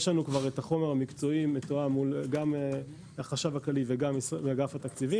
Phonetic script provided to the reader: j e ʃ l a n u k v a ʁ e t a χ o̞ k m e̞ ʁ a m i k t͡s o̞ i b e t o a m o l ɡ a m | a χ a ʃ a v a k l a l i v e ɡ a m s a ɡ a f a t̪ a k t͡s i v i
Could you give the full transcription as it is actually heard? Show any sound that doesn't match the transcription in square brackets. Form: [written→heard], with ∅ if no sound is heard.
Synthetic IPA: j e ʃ l a n u k v a ʁ e t a χ o̞ [k→∅] m e̞ ʁ a m i k t͡s o̞ i [b→m] e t o a m [o→u] l ɡ a m | a χ a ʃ a v a k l a l i v e ɡ a m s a ɡ a f a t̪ a k t͡s i v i